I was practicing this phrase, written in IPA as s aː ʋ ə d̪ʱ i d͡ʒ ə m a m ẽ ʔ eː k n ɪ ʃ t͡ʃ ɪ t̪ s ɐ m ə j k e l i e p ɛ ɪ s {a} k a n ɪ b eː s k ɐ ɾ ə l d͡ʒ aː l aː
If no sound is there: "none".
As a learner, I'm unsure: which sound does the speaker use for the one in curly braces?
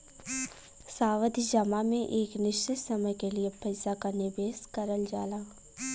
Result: a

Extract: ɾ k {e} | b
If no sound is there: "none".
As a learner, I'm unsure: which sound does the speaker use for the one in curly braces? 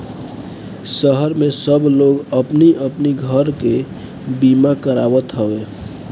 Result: e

